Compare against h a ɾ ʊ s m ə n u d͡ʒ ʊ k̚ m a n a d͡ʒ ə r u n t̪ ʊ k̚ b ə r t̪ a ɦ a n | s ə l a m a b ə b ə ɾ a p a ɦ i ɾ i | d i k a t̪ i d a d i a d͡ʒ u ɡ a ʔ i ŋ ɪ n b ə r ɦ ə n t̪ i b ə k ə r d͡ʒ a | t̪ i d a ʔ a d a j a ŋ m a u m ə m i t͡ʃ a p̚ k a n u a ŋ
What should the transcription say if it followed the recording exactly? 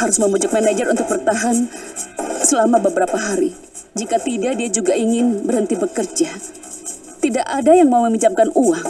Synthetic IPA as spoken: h a ɾ ʊ s m ə m u d͡ʒ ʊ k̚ m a n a d͡ʒ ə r u n t̪ ʊ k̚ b ə r t̪ a ɦ a n | s ə l a m a b ə b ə ɾ a p a ɦ a ɾ i | d͡ʒ i k a t̪ i d a d i a d͡ʒ u ɡ a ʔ i ŋ ɪ n b ə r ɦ ə n t̪ i b ə k ə r d͡ʒ a | t̪ i d a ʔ a d a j a ŋ m a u m ə m i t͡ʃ a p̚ k a n u a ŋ